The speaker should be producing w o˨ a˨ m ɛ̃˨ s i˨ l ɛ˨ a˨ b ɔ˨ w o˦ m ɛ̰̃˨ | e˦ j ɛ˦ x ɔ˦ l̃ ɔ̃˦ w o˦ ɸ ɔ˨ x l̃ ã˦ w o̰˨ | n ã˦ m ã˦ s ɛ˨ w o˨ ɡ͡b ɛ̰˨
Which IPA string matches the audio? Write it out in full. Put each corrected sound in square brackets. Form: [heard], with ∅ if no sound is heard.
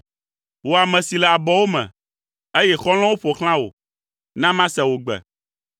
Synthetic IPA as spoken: w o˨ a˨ m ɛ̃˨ s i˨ l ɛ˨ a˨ b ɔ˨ w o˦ m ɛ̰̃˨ | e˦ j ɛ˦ x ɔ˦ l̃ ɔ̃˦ w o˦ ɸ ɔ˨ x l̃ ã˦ w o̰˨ | n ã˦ m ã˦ s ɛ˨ w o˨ ɡ͡b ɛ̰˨